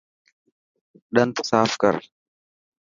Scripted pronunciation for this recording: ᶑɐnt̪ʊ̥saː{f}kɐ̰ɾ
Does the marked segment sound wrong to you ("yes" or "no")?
no